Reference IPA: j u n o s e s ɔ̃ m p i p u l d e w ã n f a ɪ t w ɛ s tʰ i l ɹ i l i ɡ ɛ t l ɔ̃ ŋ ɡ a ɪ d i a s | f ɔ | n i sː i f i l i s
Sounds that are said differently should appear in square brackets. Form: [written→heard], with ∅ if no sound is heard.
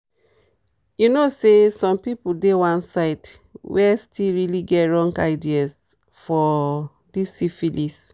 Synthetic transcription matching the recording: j u n o s e s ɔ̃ m p i p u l d e w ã n [f→s] a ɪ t w ɛ s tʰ i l ɹ i l i ɡ ɛ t [l→ɹ] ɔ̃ ŋ ɡ a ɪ d i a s | f ɔ | [n→d] i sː i f i l i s